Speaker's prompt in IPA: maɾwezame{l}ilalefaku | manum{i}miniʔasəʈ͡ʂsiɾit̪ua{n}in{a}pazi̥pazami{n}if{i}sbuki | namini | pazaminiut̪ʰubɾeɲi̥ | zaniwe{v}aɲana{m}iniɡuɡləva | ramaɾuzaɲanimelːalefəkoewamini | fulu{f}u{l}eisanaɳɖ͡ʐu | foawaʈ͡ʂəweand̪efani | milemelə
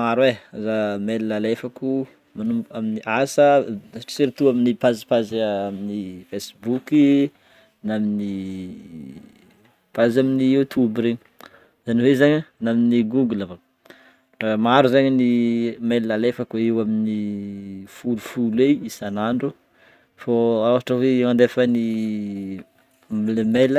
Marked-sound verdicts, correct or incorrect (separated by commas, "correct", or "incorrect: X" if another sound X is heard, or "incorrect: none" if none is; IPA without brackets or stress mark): correct, incorrect: a, incorrect: m, incorrect: i, correct, incorrect: e, incorrect: z, correct, correct, correct